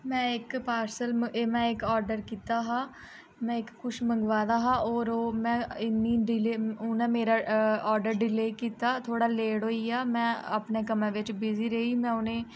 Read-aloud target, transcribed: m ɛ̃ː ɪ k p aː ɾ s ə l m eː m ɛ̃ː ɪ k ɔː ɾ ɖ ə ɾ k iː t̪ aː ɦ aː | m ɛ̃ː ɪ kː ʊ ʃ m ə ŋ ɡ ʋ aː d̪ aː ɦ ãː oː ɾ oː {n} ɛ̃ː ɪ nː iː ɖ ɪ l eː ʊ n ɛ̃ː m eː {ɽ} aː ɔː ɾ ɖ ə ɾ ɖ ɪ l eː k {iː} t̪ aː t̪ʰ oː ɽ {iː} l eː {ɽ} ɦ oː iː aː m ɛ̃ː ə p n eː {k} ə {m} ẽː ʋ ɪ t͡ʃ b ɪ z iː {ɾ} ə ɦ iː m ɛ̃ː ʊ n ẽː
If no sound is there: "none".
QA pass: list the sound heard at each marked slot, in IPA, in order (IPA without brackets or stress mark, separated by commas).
m, ɾ, iː, aː, ɽ, k, m, ɾ